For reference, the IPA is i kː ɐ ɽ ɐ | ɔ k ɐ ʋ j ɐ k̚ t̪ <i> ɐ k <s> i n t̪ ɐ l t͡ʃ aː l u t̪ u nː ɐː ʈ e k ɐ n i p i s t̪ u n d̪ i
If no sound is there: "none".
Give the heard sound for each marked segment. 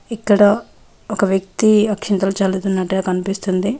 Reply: i, ʂ

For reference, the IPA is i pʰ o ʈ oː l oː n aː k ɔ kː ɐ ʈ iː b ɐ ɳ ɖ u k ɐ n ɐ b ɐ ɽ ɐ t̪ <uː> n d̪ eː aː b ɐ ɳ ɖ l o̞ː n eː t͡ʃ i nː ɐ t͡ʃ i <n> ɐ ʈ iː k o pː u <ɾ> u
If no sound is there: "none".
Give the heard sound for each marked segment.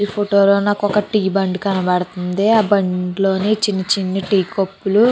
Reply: u, nː, l

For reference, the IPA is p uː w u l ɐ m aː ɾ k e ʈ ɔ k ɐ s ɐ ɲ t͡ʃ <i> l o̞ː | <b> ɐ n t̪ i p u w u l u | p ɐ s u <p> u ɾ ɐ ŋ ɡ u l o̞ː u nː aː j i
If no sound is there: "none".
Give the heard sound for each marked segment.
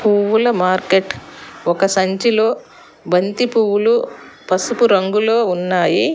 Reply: i, b, p

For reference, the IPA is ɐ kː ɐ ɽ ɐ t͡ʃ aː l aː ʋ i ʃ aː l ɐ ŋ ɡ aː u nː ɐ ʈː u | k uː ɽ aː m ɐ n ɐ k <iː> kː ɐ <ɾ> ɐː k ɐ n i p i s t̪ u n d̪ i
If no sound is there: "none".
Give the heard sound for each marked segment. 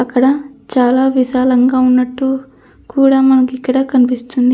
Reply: i, ɽ

